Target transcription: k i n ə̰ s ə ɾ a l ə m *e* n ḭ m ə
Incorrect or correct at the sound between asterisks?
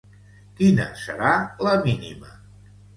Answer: incorrect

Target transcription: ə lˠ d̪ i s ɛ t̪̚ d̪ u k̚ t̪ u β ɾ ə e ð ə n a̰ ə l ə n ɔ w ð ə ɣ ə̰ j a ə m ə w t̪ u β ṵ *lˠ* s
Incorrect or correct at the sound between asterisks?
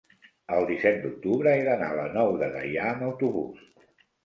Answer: incorrect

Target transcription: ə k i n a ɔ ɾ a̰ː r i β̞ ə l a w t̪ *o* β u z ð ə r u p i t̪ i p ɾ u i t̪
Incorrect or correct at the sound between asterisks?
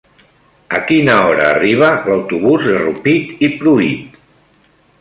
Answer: incorrect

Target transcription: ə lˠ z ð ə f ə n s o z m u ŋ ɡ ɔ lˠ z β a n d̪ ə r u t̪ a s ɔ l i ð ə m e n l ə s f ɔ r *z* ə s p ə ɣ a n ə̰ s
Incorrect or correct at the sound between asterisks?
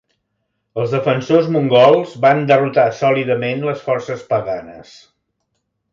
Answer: incorrect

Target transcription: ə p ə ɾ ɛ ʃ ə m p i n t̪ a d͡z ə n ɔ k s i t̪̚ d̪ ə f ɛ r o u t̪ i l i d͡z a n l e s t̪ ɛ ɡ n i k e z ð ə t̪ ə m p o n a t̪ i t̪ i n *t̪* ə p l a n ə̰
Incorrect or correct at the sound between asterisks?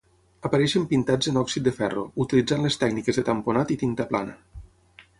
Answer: correct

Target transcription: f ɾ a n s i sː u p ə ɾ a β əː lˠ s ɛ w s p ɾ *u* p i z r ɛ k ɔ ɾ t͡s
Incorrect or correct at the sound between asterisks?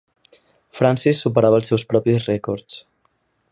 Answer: incorrect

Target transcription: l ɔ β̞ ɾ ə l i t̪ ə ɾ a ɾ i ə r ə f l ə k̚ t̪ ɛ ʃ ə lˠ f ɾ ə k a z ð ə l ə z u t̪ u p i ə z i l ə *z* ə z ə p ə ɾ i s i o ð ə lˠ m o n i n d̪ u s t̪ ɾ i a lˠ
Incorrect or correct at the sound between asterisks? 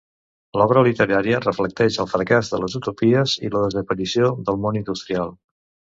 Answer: incorrect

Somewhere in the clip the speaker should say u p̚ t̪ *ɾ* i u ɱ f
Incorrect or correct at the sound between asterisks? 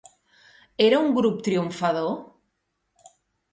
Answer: correct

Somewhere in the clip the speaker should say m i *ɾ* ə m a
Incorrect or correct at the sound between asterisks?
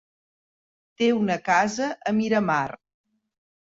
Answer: correct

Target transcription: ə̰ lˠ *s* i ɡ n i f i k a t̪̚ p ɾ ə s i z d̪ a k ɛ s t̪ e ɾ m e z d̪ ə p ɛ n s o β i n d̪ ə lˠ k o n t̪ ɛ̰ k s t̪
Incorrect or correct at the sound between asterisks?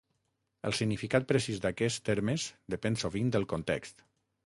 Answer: correct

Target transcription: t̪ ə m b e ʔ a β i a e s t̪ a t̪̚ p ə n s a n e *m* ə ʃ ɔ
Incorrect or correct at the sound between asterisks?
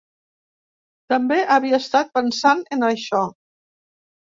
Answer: incorrect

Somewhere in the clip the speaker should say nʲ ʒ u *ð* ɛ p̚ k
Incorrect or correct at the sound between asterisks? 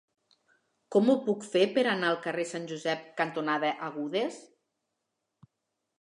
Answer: incorrect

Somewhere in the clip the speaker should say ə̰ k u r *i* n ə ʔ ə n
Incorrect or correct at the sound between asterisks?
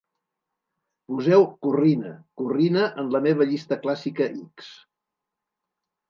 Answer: correct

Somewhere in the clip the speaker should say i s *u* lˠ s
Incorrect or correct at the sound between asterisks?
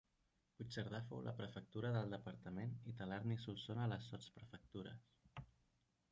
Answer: correct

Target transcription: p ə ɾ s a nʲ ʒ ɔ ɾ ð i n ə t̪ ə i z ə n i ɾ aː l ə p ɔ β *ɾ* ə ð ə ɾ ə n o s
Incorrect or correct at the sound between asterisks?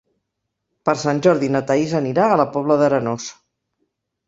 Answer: incorrect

